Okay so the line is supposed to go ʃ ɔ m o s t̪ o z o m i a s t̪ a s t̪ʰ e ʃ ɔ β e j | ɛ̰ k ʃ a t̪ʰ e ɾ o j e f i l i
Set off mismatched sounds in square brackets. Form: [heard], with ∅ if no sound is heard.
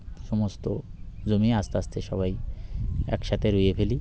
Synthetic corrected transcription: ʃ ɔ m o s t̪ o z o m i a s t̪ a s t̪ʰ e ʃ ɔ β [a] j | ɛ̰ k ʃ a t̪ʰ e ɾ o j e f [e] l i